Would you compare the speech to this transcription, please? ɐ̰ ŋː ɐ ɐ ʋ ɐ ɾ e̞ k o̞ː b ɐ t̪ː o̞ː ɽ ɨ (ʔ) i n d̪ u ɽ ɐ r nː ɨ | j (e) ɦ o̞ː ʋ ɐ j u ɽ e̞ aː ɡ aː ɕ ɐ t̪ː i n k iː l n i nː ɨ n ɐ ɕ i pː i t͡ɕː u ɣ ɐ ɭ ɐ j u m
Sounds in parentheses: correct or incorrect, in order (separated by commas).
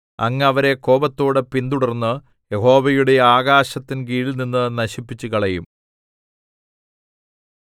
incorrect, correct